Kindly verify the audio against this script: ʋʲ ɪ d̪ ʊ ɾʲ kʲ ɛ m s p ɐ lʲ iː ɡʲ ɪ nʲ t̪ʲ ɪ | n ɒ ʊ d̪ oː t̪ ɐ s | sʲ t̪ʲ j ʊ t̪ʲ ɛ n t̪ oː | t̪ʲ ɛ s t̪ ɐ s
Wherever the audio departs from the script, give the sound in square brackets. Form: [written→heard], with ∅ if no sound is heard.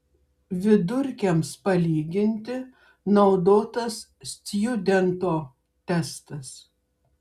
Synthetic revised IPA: ʋʲ ɪ d̪ ʊ ɾʲ kʲ ɛ m s p ɐ lʲ iː ɡʲ ɪ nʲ t̪ʲ ɪ | n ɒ ʊ d̪ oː t̪ ɐ s | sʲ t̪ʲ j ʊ [t̪ʲ→d̪ʲ] ɛ n t̪ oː | t̪ʲ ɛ s t̪ ɐ s